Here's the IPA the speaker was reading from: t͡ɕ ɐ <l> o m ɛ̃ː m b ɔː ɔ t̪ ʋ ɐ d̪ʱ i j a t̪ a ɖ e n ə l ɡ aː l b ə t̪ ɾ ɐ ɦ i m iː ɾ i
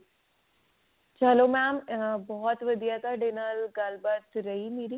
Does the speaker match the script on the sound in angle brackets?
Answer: yes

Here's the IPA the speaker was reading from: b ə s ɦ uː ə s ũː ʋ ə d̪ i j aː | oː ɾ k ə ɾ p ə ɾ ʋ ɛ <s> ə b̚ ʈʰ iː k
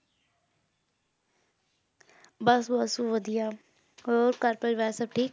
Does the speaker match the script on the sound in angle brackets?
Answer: yes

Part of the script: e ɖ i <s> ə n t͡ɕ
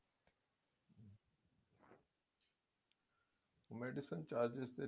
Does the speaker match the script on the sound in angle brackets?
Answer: yes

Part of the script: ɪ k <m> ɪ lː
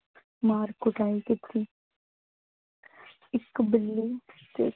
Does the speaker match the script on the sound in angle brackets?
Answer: no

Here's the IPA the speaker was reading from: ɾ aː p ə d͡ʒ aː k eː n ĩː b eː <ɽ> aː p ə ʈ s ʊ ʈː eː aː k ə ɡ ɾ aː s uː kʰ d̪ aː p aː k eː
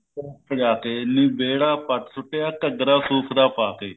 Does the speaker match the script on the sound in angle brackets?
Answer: yes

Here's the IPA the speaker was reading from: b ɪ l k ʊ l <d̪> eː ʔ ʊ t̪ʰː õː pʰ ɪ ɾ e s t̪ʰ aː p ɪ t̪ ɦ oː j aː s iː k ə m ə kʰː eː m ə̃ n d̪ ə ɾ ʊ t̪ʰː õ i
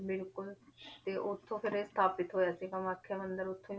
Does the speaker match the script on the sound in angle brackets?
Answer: no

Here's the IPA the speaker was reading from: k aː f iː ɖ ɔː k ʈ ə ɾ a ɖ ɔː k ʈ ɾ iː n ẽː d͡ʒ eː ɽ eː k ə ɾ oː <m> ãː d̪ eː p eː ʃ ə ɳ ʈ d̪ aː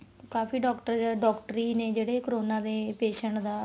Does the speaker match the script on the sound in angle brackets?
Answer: no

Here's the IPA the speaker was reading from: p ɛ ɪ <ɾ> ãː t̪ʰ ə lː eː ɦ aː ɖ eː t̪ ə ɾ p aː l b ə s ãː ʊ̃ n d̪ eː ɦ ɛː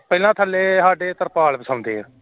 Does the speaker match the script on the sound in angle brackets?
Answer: no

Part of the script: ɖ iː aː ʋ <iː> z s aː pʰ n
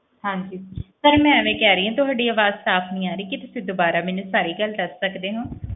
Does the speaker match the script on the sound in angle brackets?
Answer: no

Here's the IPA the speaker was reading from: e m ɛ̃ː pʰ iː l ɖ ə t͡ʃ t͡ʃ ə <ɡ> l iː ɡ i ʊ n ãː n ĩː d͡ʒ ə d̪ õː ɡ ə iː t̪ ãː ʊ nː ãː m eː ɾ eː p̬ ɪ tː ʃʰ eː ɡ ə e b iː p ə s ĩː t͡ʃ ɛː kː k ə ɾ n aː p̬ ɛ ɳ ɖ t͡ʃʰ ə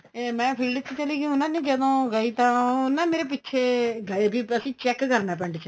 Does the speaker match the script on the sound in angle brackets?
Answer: no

